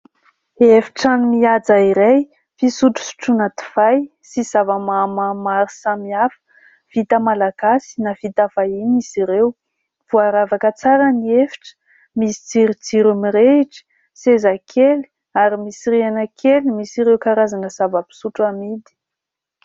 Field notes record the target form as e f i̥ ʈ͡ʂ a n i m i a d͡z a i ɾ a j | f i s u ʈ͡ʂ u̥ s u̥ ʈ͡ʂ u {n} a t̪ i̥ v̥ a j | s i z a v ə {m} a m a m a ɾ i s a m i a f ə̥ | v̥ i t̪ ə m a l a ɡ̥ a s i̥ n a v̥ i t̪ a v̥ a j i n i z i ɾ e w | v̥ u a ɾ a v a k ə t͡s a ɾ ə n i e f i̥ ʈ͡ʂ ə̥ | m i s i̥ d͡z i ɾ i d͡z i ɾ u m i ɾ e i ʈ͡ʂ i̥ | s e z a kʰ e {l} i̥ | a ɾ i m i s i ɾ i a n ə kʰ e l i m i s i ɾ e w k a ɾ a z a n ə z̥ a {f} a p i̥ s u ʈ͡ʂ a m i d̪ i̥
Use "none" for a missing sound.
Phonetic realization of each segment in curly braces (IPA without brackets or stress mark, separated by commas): n, m, l, v